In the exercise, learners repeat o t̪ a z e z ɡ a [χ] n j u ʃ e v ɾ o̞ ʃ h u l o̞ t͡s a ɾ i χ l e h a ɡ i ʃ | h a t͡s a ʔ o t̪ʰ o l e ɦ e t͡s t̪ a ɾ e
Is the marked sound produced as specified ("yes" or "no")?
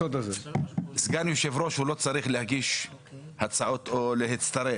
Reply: no